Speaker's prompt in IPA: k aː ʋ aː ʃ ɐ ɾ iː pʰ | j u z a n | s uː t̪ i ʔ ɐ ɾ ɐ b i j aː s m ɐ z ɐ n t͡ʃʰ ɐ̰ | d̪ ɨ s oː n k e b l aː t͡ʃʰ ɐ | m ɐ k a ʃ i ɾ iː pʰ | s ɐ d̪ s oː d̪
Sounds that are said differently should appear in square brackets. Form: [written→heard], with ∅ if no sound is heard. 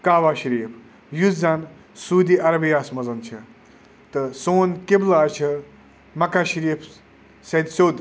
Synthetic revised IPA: k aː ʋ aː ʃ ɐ ɾ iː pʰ | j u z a n | s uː [t̪→d̪] i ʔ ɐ ɾ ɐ b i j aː s m ɐ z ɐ n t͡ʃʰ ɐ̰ | [d̪→t̪] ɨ s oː n k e b l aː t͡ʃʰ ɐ | m ɐ k a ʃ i ɾ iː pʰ | s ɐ d̪ s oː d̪